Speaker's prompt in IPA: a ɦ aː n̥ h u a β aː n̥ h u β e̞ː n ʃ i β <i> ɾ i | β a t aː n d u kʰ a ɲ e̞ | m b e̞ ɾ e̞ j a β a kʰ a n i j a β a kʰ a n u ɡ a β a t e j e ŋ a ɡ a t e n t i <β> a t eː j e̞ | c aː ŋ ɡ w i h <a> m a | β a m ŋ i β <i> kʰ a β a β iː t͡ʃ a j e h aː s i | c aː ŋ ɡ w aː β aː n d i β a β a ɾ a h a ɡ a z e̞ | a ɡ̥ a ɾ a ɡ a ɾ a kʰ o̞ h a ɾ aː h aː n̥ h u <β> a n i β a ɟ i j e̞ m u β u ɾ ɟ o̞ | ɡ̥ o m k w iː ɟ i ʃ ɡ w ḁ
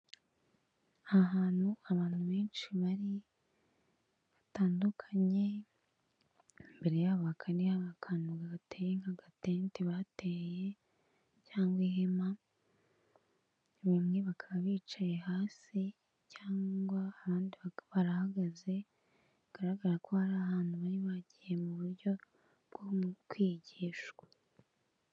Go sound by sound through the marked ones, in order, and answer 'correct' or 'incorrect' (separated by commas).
incorrect, correct, incorrect, incorrect, correct